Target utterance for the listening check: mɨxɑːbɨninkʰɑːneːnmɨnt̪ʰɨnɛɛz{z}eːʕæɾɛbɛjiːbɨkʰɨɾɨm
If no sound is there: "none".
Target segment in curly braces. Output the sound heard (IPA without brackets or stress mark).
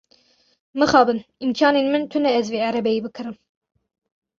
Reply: v